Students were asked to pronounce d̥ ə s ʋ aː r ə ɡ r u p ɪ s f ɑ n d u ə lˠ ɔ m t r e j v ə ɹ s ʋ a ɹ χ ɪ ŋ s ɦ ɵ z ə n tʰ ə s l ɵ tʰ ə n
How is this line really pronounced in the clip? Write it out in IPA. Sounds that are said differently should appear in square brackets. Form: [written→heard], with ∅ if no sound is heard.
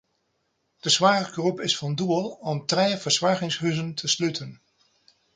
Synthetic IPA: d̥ ə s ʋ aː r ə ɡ r u p ɪ s f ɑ n d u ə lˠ ɔ m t r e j v ə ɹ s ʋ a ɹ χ ɪ ŋ s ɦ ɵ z ə n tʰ ə s l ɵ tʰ ə n